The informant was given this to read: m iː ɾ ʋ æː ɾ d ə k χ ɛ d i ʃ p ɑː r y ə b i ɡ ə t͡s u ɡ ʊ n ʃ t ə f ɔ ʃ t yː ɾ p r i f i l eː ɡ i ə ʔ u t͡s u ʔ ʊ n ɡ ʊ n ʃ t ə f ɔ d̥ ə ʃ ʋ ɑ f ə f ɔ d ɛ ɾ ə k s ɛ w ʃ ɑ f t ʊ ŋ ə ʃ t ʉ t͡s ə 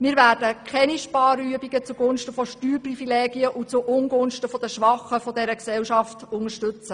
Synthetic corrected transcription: m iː ɾ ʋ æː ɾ d ə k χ ɛ n i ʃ p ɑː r y ə b i ɡ ə t͡s u ɡ ʊ n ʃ t ə f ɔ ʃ t yː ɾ p r i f i l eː ɡ i ə ʔ u t͡s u ʔ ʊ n ɡ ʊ n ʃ t ə f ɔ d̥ ə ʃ ʋ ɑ χ ə f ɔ d ɛ ɾ ə k s ɛ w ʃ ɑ f t ʊ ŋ ə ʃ t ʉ t͡s ə